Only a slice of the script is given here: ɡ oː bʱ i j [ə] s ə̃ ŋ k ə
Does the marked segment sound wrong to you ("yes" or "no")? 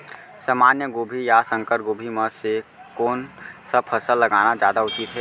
yes